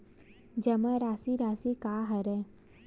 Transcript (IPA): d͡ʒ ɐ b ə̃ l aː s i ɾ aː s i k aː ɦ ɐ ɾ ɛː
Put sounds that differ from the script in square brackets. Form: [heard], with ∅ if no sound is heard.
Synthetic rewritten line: d͡ʒ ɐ [m] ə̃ [ɾ] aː s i ɾ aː s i k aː ɦ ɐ ɾ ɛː